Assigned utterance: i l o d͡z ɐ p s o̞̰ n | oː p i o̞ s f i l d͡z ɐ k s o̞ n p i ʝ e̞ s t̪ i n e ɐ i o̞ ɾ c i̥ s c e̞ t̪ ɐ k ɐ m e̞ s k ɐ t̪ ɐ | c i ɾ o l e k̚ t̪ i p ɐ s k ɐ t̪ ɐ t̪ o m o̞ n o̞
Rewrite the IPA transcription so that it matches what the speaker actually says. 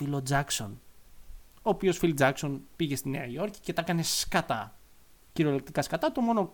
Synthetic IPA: i l o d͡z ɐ k s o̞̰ n | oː p i o̞ s f i l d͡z ɐ k s o̞ n p i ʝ e̞ s t̪ i n e ɐ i o̞ ɾ c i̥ c e̞ t̪ ɐ k ɐ n e̞ s k ɐ t̪ ɐ | c i ɾ o l e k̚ t̪ i k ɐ s k ɐ t̪ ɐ t̪ o m o̞ n o̞